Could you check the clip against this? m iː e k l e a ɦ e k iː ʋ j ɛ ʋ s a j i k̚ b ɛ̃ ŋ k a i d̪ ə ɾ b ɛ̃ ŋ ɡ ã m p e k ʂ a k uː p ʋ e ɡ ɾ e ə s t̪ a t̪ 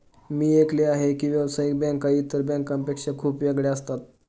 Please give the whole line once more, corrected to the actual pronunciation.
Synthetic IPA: m iː e k l e a ɦ e k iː ʋ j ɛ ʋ s a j i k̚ b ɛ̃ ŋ k a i t̪ ə ɾ b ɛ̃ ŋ k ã m p e k ʂ a kʰ uː p ʋ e ɡ ɭ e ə s t̪ a t̪